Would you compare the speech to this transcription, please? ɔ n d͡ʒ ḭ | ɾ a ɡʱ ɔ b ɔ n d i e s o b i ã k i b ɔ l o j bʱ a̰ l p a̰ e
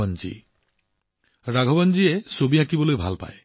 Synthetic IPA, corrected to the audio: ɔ n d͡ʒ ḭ | ɾ a ɡʱ ɔ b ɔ n d͡ʒ i e s o b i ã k i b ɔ l o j bʱ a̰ l p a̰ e

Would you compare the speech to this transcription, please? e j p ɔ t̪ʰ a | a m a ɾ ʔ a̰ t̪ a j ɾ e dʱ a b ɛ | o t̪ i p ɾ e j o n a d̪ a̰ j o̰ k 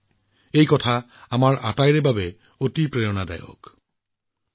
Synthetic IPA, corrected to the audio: e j k ɔ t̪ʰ a | a m a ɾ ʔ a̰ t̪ a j ɾ e bʱ a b e | o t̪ i p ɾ e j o n a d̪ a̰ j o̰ k

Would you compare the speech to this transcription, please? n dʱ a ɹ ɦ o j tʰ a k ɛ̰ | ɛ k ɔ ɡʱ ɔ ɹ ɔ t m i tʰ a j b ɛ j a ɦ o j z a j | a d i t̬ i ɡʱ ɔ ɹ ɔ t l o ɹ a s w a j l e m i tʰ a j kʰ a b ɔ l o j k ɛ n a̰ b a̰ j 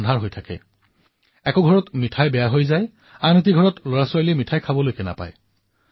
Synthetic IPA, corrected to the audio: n dʱ a ɹ ɦ o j tʰ a k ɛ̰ | ɛ k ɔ ɡʱ ɔ ɹ ɔ t m i tʰ a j b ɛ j a ɦ o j z a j | a n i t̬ i ɡʱ ɔ ɹ ɔ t l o ɹ a s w a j l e m i tʰ a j kʰ a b ɔ l o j k ɛ n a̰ p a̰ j

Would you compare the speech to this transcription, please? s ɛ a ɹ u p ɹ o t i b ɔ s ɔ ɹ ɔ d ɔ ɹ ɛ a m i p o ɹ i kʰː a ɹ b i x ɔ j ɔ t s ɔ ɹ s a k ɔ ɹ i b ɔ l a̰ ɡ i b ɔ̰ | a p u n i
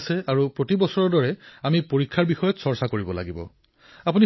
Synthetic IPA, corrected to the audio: s ɛ a ɹ u p ɹ o t i b ɔ s ɔ ɹ ɔ d ɔ ɹ ɛ a m i p o ɹ i kʰː a ɹ b i x ɔ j ɔ t s ɔ ɹ s a k o ɹ i b ɔ l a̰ ɡ i b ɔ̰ | a p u n i

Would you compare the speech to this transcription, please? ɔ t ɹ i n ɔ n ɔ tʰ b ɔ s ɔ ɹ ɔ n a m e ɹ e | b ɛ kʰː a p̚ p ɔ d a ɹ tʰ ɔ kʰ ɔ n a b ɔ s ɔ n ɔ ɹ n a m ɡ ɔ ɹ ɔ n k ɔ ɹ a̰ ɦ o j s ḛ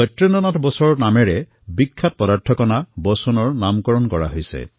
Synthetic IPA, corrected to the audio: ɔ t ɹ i n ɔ n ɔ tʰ b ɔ s ɔ ɹ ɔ n a m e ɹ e | b i kʰː a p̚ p ɔ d a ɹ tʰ ɔ k ɔ n a b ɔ s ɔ n ɔ ɹ n a m k ɔ ɹ ɔ n k ɔ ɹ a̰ ɦ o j s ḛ

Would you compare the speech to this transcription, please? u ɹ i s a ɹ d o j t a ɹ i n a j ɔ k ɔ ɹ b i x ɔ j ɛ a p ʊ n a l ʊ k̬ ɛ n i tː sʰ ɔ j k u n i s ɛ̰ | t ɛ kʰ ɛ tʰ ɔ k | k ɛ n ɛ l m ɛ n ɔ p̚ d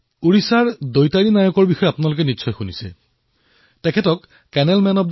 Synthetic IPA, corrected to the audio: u ɹ i s a ɹ d o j t a ɹ i n a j ɔ k ɔ ɹ b i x ɔ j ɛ a p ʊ n a l ʊ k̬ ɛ n i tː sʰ ɔ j x u n i s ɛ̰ | t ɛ kʰ ɛ t ɔ k | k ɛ n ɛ l m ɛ n ɔ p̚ d

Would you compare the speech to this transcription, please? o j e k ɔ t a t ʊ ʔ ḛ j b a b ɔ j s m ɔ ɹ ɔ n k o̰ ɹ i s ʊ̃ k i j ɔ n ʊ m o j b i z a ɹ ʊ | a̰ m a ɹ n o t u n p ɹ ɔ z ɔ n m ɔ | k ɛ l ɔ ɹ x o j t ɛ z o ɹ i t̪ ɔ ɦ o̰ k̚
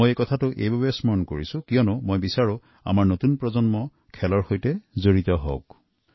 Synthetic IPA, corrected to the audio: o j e k ɔ tʰ a t ʊ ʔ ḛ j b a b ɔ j s m ɔ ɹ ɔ n k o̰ ɹ i s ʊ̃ k i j ɔ n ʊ m o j b i s a ɹ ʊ | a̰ m a ɹ n o t u n p ɹ ɔ z ɔ n m ɔ | kʰ ɛ l ɔ ɹ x o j t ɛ z o ɹ i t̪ ɔ ɦ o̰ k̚

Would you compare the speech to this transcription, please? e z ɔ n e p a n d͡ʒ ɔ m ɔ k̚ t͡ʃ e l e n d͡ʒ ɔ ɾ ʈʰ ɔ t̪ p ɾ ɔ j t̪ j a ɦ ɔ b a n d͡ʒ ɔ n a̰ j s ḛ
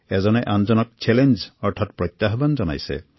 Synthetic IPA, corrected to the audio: e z ɔ n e ʔ a n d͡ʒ ɔ n ɔ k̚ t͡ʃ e l e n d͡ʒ ɔ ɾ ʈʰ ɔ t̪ p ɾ ɔ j t̪ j a ɦ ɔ b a n d͡ʒ ɔ n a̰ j s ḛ

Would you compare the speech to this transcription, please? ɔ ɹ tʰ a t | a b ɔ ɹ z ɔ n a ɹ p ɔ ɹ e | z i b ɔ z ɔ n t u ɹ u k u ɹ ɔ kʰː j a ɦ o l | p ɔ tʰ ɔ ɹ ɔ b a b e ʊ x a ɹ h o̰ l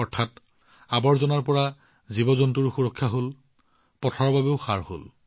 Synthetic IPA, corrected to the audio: ɔ ɹ tʰ a t | a b ɔ ɹ z ɔ n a ɹ p ɔ ɹ a | z i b ɔ z ɔ n t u ɹ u x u ɹ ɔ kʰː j a ɦ o l | p ɔ tʰ ɔ ɹ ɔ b a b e ʊ x a ɹ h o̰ l

